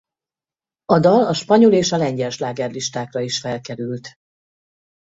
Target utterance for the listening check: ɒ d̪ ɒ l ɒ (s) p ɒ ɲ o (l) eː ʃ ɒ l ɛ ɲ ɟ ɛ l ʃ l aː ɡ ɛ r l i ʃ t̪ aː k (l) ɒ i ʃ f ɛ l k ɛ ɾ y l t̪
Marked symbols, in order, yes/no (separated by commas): no, yes, no